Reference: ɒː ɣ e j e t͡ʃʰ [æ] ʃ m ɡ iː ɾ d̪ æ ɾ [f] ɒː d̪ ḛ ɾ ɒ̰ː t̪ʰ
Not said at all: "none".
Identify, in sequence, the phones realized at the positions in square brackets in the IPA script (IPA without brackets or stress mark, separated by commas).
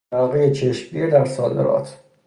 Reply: e, s